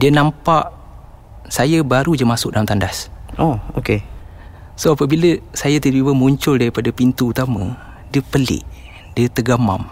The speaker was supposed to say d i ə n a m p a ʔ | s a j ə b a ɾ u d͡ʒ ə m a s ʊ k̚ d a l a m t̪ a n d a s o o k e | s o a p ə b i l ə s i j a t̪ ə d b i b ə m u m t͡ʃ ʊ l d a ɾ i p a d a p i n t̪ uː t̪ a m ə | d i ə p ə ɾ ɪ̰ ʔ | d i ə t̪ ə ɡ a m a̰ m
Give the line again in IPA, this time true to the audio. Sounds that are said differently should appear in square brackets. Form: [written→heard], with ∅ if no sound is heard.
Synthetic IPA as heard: d i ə n a m p a ʔ | s a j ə b a ɾ u d͡ʒ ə m a s ʊ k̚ d a l a m t̪ a n d a s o o k e | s o a p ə b i l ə s [i→a] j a t̪ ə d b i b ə m u [m→ɲ] t͡ʃ ʊ l d a ɾ i p a d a p i n t̪ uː t̪ a m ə | d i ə p ə [ɾ→l] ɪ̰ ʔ | d i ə t̪ ə ɡ a m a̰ m